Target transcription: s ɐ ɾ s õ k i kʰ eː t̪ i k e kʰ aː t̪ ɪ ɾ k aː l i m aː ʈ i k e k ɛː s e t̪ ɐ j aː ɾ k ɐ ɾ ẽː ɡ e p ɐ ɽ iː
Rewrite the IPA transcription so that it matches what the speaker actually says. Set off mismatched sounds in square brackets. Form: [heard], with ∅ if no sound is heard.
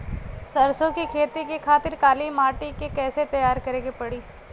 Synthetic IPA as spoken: s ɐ ɾ s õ k i kʰ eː t̪ i k e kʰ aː t̪ ɪ ɾ k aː l i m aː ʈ i k e k ɛː s e t̪ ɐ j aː ɾ k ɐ ɾ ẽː ɡ e p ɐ ɽ iː